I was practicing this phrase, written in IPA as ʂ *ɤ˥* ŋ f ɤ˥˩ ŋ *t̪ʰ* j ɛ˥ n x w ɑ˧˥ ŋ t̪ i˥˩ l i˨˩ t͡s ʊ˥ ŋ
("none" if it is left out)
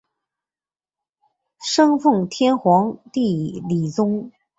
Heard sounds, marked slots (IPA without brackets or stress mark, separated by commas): ɤ˥, t̪ʰ